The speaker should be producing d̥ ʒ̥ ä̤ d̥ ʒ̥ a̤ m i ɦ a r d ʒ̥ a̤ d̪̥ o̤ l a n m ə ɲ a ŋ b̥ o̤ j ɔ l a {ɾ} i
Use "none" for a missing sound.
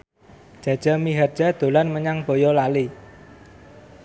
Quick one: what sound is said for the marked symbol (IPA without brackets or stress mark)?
l